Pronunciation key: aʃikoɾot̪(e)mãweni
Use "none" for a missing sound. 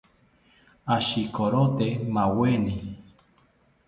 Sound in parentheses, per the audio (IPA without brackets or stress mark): e